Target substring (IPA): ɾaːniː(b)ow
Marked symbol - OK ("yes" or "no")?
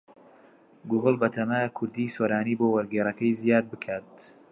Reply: yes